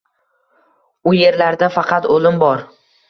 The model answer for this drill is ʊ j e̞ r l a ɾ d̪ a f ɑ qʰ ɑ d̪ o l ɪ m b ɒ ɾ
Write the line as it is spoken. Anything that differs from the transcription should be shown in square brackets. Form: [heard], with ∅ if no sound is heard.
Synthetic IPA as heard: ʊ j e̞ [ɾ] l a ɾ d̪ a f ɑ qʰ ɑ [t̪] o l ɪ m b ɒ ɾ